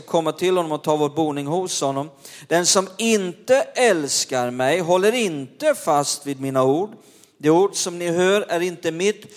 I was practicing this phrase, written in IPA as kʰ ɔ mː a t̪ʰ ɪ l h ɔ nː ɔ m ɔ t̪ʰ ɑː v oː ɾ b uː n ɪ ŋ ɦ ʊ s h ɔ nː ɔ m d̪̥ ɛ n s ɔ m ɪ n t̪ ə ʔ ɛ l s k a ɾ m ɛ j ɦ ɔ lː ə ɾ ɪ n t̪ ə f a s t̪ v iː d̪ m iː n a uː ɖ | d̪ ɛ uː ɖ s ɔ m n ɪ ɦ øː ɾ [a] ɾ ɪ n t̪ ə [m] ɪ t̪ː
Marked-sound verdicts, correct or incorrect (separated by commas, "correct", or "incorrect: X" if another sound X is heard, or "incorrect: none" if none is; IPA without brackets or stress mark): incorrect: æ, correct